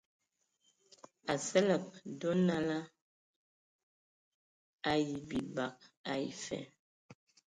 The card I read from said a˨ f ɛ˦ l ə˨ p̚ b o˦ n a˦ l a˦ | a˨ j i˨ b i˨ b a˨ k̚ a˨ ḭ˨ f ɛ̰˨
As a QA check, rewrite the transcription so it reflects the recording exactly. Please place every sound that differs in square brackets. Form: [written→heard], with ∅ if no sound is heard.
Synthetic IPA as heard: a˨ [f→s] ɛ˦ l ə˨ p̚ [b→d] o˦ n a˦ l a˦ | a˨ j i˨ b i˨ b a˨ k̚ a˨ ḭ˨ f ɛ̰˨